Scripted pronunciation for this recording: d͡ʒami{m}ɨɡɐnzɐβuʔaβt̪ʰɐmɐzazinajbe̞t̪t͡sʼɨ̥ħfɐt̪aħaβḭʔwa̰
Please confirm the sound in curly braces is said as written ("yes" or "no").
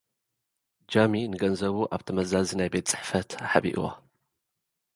no